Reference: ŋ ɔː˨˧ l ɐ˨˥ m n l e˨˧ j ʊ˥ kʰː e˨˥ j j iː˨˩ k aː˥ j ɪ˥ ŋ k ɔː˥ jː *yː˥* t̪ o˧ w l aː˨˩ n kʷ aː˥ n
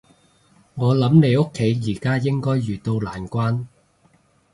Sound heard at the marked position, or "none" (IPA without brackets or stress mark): yː˨˩